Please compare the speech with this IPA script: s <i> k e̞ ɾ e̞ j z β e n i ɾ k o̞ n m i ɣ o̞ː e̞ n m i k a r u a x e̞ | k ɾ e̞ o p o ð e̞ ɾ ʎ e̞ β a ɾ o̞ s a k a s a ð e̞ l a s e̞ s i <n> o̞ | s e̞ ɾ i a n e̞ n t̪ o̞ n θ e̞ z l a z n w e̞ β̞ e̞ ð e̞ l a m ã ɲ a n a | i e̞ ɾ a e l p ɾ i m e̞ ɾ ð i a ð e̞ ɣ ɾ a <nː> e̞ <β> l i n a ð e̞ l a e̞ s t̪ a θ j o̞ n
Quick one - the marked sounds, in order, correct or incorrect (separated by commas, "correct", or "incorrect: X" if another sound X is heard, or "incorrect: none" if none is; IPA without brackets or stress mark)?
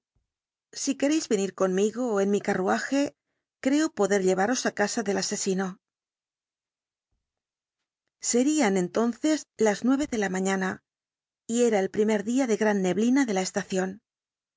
correct, correct, correct, correct